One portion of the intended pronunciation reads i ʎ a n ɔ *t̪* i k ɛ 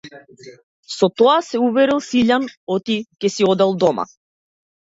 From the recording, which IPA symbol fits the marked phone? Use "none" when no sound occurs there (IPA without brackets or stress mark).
t̪